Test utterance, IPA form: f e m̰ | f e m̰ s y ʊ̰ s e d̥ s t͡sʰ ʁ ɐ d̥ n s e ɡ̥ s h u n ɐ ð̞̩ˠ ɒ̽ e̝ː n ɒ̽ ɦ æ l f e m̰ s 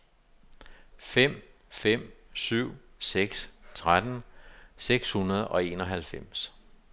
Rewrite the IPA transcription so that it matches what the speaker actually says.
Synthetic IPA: f e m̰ | f e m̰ s y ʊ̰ s e ɡ̥ s t͡sʰ ʁ a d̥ n s e ɡ̥ s h u n ɐ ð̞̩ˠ ɒ̽ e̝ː n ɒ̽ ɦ æ l f e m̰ s